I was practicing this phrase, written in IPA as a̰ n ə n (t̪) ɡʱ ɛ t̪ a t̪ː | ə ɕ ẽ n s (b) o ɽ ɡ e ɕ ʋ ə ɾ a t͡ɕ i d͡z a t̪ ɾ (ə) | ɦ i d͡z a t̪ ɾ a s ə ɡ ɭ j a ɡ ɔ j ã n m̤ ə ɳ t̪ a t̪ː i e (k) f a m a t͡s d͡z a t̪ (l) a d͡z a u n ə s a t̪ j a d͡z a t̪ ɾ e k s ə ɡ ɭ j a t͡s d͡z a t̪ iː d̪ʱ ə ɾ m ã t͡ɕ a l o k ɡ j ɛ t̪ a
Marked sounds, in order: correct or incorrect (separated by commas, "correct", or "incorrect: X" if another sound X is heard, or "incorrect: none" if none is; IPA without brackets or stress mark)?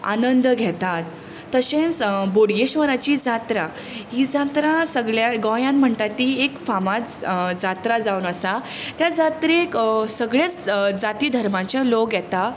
incorrect: d̪, correct, incorrect: a, correct, incorrect: ɾ